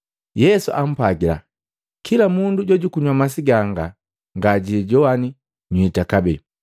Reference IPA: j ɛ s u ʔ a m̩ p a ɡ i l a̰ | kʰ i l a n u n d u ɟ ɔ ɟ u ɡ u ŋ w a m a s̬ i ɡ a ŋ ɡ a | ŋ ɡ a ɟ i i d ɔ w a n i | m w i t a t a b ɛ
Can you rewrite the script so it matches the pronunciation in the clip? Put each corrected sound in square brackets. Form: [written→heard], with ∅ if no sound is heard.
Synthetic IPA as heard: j ɛ s u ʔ a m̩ p a ɡ i l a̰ | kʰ i l a [n→m] u n d u ɟ ɔ ɟ u [ɡ→k] u [ŋ→ɲ] w a m a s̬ i ɡ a ŋ ɡ a | ŋ ɡ a ɟ i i [d→ɟ] ɔ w a n i | [m→ɲ] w i t a [t→k] a b ɛ